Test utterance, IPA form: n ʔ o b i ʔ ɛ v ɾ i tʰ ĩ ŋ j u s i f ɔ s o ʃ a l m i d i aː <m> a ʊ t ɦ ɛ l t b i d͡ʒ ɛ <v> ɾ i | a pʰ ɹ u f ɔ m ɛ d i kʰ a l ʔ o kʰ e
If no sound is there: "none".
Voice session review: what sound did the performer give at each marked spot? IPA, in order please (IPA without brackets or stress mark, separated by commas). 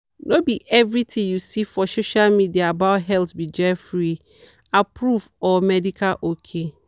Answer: b, f